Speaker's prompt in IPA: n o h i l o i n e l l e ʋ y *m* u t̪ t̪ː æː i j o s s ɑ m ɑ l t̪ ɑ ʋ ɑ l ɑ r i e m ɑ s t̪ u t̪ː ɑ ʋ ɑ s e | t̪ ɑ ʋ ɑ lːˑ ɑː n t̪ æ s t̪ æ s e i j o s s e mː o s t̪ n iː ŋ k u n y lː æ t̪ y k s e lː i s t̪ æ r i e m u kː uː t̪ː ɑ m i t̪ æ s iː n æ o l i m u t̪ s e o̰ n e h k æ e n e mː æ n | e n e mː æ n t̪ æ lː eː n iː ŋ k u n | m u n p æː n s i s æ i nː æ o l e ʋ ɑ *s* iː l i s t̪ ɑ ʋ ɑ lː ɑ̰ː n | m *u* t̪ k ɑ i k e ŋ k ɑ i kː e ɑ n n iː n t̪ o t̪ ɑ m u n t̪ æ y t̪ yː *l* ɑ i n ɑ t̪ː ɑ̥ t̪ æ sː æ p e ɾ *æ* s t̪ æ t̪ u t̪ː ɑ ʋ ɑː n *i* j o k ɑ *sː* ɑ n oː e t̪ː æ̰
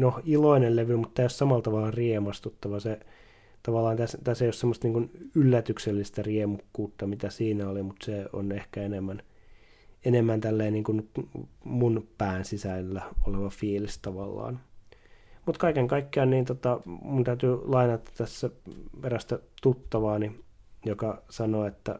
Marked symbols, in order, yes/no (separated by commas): yes, no, yes, yes, yes, yes, no